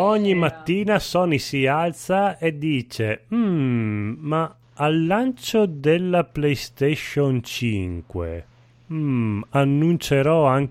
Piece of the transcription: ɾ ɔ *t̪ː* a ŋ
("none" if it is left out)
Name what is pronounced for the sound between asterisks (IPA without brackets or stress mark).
none